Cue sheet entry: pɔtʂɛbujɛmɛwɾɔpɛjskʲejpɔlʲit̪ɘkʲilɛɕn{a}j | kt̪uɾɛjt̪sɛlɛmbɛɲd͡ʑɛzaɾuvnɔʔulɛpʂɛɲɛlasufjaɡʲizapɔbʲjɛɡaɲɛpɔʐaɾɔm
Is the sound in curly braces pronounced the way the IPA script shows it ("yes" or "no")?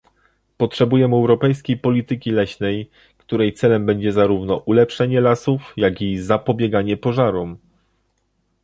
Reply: no